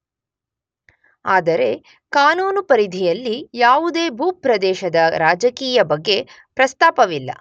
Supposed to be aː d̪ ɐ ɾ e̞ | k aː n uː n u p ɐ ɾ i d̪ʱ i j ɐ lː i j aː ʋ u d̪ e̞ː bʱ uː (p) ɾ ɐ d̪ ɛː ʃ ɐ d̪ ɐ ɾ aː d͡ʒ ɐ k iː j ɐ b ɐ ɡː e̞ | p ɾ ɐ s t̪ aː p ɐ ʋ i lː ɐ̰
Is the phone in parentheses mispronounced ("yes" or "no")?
no